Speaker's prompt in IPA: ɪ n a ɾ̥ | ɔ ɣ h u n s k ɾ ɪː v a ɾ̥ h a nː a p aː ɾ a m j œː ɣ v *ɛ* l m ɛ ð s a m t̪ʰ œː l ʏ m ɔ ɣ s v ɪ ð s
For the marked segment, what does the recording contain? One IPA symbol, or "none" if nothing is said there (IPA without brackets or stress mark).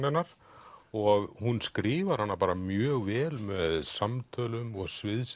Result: ɛː